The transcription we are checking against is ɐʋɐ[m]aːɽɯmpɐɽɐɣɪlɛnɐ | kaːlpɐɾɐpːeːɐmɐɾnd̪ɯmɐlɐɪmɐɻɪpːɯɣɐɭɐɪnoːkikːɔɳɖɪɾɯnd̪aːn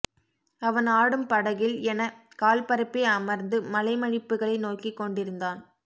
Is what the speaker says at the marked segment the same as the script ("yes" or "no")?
no